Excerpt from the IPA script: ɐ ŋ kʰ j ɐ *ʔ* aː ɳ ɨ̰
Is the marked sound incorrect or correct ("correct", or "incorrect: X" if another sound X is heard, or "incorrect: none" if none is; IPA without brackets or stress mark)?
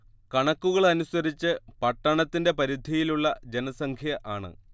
correct